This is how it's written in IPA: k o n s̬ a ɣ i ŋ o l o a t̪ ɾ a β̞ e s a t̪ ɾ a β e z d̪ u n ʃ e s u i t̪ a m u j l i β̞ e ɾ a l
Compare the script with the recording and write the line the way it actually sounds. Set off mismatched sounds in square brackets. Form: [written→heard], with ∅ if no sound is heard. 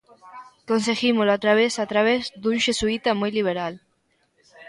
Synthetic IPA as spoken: k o n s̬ [a→e] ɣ i [ŋ→m] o l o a t̪ ɾ a β̞ e s a t̪ ɾ a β e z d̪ u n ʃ e s u i t̪ a m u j l i β̞ e ɾ a l